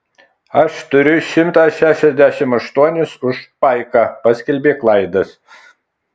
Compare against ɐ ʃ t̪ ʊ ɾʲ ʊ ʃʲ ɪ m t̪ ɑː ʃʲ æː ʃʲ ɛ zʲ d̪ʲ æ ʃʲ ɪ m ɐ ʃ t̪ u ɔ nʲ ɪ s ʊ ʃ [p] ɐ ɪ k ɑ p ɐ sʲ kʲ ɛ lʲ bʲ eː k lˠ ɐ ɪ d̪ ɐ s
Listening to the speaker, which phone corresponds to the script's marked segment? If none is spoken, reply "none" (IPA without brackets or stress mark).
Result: p